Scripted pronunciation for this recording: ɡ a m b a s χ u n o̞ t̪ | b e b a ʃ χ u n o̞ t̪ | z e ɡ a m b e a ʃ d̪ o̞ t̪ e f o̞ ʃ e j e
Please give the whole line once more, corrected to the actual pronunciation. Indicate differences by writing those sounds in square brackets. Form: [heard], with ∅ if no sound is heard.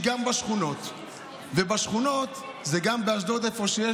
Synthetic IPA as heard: ɡ a m b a [ʃ] χ u n o̞ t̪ | [v] e b a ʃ χ u n o̞ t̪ | z e ɡ a m b e a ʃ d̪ o̞ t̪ e f o̞ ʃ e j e